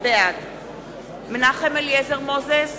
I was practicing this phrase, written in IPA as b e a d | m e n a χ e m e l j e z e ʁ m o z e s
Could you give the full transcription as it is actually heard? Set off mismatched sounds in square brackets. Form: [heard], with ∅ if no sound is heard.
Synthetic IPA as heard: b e a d | m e n a χ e m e l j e z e ʁ m o z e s